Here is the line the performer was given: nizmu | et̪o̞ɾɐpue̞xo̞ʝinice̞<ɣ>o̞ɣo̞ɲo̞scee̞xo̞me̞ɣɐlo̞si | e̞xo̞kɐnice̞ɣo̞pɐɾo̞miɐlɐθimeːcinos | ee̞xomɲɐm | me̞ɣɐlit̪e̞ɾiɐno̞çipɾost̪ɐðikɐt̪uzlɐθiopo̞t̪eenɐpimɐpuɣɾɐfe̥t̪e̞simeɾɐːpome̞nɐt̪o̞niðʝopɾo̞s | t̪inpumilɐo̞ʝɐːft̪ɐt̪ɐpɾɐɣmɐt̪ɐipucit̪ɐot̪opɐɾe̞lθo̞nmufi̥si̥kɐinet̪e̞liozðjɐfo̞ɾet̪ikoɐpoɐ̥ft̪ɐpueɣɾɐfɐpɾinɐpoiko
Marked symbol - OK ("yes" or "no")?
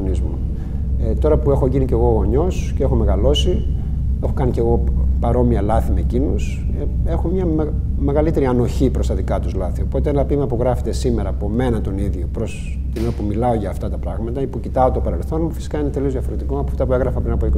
yes